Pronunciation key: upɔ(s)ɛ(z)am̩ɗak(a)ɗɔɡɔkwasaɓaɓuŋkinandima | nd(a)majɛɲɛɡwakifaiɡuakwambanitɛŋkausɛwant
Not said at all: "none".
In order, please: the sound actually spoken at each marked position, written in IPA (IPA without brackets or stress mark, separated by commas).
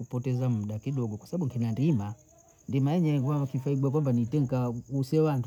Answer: t, z, i, i